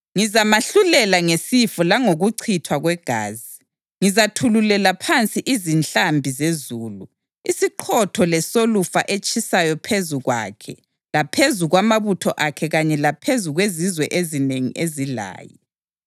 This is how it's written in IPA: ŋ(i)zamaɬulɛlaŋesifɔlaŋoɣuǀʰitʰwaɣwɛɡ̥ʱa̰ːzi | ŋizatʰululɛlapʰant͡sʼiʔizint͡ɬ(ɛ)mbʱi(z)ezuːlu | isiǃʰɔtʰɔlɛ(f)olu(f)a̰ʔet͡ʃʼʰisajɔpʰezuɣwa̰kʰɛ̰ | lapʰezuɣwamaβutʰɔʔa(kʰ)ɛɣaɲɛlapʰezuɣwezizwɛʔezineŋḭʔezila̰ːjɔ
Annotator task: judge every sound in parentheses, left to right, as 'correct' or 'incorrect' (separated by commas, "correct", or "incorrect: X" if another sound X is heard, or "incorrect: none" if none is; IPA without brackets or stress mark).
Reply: correct, incorrect: a, correct, incorrect: s, correct, correct